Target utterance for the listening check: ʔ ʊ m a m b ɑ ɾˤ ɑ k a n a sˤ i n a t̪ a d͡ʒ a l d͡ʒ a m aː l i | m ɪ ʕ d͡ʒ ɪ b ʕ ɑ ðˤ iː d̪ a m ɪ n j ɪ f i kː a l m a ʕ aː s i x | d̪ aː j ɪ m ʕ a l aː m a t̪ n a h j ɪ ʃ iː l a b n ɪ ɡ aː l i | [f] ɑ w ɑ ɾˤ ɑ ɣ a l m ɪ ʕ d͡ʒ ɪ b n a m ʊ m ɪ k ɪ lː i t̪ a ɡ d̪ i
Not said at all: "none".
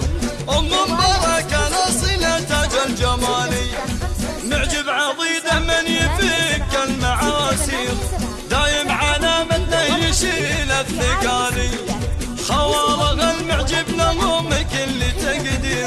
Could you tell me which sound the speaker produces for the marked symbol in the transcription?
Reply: x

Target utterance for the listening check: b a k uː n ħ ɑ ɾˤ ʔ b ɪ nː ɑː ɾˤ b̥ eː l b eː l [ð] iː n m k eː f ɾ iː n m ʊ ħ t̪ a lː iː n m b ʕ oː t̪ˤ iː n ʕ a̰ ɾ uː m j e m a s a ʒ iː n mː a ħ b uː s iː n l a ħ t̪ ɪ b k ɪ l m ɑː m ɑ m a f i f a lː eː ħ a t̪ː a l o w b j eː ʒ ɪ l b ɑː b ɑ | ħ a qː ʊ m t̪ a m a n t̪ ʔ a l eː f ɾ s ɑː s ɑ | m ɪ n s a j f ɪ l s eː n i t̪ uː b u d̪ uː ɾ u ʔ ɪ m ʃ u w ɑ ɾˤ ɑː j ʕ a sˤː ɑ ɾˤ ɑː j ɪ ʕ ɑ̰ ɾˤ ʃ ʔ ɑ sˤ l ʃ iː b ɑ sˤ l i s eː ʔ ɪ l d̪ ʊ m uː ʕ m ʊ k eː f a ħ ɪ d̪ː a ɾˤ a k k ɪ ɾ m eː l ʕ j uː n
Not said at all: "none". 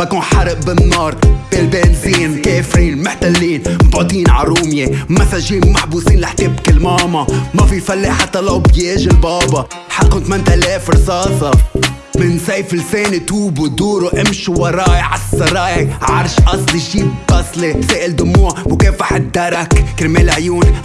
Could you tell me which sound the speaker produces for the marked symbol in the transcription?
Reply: z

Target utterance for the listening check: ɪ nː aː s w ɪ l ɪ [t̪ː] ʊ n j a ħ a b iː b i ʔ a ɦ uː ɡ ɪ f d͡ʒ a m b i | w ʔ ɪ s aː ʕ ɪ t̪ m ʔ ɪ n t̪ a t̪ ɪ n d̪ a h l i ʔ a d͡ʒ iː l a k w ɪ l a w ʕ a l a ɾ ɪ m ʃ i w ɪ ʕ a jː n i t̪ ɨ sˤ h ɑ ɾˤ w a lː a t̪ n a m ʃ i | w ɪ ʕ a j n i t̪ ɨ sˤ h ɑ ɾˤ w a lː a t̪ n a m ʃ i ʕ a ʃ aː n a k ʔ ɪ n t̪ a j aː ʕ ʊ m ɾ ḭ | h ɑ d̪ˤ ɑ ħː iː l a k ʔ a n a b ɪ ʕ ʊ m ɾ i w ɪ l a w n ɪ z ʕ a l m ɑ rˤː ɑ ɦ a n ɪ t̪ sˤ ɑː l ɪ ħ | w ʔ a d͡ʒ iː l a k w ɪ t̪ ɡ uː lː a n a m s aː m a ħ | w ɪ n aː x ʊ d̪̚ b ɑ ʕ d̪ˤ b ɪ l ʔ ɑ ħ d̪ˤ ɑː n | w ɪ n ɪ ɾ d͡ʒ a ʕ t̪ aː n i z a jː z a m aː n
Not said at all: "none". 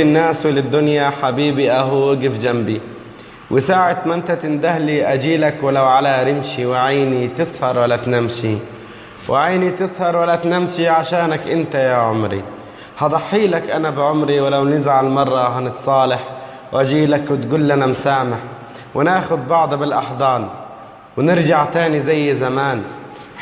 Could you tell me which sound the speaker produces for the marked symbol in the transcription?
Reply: d̪ː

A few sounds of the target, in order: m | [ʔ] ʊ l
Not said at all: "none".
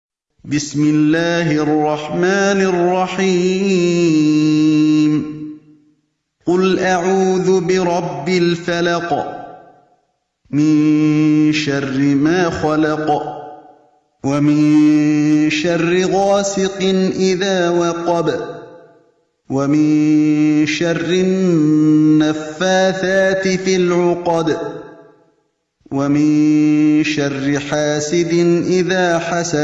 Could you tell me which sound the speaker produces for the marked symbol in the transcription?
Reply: q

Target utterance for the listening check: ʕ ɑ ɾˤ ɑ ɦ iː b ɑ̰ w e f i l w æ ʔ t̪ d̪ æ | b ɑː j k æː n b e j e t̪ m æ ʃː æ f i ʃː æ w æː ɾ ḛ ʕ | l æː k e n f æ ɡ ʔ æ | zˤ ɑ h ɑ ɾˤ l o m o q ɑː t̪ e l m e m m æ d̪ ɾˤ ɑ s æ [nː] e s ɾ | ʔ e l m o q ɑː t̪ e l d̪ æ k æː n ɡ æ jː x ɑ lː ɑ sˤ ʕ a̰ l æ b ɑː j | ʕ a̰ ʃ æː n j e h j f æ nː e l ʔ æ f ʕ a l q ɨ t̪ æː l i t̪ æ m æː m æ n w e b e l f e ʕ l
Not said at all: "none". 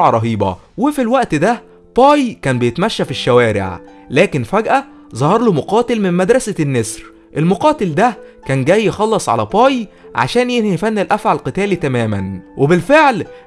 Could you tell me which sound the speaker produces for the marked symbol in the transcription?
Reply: nː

